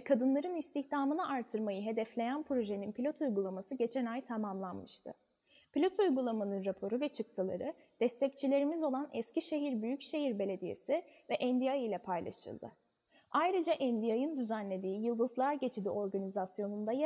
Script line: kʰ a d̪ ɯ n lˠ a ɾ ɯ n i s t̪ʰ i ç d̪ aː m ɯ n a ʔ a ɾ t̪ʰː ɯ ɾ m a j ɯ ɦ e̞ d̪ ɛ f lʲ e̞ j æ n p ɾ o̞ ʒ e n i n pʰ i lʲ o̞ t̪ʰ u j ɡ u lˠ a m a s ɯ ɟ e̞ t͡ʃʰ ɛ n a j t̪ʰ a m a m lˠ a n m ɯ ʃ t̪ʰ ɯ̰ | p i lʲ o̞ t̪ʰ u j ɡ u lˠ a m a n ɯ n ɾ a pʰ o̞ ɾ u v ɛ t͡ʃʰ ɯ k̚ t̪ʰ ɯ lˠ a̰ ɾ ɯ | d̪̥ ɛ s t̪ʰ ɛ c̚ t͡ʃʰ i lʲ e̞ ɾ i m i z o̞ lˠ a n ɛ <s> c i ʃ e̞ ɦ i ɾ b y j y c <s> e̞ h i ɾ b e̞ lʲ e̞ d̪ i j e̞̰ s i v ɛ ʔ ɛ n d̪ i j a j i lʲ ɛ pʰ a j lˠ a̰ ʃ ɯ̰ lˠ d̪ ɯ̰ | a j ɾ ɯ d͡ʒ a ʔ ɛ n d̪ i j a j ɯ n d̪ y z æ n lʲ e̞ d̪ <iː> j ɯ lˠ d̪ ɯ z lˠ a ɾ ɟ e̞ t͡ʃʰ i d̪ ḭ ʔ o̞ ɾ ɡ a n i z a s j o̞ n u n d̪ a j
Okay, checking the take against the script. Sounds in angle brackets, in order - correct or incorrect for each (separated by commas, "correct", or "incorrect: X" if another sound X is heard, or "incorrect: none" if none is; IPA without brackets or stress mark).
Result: correct, incorrect: ʃ, correct